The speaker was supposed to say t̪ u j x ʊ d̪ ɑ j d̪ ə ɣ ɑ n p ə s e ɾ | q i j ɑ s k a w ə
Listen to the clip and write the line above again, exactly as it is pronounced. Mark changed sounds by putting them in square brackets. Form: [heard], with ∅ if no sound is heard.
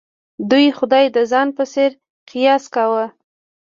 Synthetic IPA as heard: [d̪] u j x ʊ d̪ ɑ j d̪ ə [z] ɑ n p ə s e ɾ | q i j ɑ s k a w ə